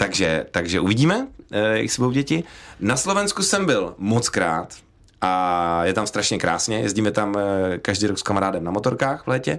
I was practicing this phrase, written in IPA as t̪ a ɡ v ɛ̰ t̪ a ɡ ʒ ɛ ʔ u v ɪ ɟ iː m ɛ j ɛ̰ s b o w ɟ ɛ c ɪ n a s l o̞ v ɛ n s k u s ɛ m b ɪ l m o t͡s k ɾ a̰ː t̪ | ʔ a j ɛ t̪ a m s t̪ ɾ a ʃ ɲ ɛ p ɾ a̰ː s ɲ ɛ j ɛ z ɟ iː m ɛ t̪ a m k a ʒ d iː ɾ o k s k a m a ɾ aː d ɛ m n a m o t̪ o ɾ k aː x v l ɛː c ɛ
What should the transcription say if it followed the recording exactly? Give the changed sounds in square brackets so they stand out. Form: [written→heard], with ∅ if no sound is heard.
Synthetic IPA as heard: t̪ a ɡ [v→ʒ] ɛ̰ t̪ a ɡ ʒ ɛ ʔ u v ɪ ɟ iː m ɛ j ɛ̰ s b o w ɟ ɛ c ɪ n a s l o̞ v ɛ n s k u s ɛ m b ɪ l m o t͡s k ɾ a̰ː t̪ | ʔ a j ɛ t̪ a m s t̪ ɾ a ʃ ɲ ɛ [p→k] ɾ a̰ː s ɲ ɛ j ɛ z ɟ iː m ɛ t̪ a m k a ʒ d iː ɾ o k s k a m a ɾ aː d ɛ m n a m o t̪ o ɾ k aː x v l ɛː c ɛ